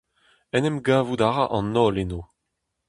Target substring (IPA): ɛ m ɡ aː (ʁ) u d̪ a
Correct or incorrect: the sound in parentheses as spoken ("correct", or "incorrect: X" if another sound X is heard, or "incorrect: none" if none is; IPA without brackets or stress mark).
incorrect: v